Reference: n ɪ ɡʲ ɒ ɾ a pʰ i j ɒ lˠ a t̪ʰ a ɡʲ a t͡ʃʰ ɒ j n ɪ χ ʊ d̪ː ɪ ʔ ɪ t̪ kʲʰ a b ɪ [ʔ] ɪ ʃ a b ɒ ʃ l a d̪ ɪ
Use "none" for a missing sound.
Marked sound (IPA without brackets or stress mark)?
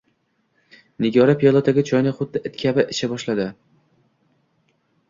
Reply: ʔ